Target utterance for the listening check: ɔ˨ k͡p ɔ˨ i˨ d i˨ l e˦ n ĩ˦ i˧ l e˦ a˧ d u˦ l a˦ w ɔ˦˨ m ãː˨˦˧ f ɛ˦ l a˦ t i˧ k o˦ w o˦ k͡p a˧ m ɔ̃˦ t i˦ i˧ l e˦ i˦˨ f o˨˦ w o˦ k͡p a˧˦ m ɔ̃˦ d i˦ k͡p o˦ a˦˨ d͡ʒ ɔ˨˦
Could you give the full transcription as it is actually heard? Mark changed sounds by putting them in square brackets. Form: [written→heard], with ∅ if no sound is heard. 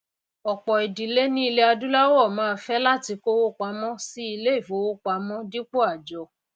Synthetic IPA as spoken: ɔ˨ k͡p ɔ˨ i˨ d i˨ l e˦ n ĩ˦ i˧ l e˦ a˧ d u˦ l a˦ w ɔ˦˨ m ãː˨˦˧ f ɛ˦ l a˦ t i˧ k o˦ w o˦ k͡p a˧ m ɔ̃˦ [t→s] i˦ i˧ l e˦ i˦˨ f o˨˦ w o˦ k͡p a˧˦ m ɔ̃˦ d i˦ k͡p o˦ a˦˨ d͡ʒ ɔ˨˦